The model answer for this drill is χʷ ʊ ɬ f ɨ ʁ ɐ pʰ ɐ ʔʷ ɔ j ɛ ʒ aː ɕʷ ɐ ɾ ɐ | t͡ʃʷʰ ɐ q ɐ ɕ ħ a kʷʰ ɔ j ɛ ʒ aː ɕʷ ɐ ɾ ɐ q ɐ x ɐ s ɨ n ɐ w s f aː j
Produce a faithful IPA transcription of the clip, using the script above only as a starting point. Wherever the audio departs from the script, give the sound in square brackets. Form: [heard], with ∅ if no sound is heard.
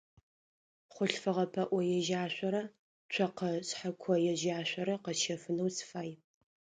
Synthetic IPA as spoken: χʷ ʊ ɬ f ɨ ʁ ɐ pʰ ɐ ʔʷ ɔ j ɛ ʒ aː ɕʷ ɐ ɾ ɐ | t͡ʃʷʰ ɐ q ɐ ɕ ħ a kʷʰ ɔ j ɛ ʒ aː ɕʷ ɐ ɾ ɐ q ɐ [ʃ] ɐ [f] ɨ n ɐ w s f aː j